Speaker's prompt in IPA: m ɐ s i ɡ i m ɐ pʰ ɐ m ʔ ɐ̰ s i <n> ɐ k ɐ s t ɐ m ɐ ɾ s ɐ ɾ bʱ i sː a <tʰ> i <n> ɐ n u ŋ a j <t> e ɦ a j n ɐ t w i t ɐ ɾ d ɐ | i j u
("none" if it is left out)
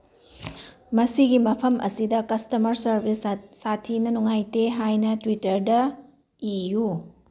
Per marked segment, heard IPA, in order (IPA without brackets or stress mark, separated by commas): d, tʰ, n, t